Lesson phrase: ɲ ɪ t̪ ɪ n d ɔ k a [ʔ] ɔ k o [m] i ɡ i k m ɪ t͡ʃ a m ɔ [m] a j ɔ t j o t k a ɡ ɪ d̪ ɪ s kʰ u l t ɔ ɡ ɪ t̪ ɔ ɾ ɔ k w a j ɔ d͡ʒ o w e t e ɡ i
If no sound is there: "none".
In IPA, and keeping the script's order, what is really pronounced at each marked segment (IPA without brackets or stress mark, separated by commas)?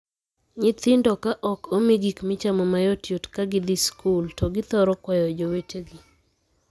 ʔ, m, m